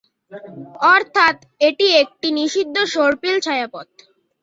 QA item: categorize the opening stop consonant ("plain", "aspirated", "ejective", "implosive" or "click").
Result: aspirated